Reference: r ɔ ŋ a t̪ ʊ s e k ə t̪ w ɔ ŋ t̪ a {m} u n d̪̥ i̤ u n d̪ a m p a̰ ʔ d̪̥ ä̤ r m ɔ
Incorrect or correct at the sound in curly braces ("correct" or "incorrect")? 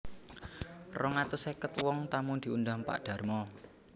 correct